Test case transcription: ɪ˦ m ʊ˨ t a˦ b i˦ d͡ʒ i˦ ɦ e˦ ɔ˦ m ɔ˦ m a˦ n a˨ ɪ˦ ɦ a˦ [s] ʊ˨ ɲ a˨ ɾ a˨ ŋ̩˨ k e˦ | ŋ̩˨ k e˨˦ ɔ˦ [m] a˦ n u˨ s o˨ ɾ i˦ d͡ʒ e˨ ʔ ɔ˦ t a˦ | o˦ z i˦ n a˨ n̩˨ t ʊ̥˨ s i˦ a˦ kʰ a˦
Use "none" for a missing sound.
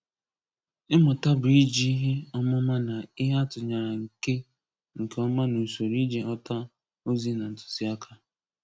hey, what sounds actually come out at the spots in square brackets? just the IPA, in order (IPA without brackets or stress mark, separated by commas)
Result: t, m